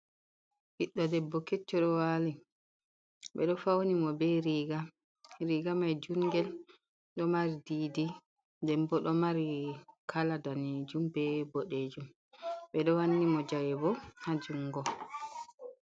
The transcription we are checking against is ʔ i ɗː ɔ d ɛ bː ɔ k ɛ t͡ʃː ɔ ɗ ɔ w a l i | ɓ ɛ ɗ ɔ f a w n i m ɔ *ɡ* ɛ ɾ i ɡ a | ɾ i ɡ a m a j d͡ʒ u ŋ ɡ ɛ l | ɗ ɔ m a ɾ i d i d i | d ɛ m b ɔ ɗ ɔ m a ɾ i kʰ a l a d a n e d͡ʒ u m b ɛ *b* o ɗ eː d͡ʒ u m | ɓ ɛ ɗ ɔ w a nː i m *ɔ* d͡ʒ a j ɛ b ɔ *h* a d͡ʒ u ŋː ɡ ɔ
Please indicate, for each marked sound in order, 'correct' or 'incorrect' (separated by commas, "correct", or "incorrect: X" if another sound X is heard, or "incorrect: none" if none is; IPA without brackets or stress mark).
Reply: incorrect: b, correct, correct, correct